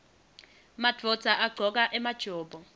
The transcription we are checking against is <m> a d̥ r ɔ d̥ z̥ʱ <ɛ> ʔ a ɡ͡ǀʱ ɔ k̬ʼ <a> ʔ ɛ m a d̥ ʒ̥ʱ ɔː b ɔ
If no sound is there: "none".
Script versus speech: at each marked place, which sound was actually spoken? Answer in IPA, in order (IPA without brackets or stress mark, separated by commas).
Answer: m, a, a